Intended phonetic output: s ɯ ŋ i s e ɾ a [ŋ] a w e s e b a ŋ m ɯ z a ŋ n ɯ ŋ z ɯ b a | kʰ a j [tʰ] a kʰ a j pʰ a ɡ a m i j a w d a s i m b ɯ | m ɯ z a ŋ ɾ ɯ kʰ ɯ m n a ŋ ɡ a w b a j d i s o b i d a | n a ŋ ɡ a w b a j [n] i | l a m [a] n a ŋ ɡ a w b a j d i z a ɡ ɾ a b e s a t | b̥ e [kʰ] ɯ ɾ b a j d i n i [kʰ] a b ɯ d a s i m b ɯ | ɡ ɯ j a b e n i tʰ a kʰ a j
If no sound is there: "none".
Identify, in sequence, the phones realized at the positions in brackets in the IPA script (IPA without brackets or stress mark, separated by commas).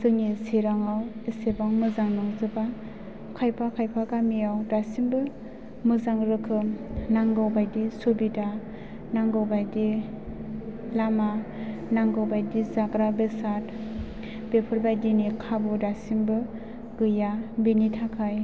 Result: ŋ, pʰ, d, a, pʰ, kʰ